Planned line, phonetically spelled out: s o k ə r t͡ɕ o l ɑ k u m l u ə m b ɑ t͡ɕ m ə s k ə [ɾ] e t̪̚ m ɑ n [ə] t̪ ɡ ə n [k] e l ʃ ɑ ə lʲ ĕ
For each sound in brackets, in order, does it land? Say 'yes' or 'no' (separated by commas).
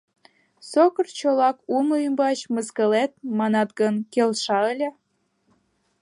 no, no, yes